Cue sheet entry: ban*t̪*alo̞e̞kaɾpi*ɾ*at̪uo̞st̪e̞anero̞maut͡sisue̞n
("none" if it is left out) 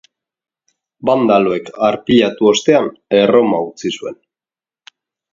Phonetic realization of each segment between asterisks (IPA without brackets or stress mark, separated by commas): d̪, ʎ